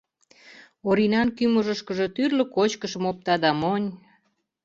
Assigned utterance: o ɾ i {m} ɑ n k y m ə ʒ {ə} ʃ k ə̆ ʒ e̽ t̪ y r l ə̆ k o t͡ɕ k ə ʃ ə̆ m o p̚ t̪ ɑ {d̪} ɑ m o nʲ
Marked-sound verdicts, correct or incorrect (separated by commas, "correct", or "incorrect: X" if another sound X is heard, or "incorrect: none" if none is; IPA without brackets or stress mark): incorrect: n, correct, correct